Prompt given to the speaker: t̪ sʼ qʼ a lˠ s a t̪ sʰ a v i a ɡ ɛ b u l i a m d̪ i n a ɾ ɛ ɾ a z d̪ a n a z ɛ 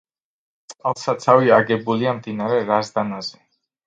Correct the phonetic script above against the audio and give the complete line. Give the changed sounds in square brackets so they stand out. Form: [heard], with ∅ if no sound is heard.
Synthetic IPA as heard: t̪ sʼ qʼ a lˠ s a t̪ sʰ a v i a ɡ ɛ b u l i a m d̪ i n a ɾ ɛ ɾ a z d̪ a n a z ɛ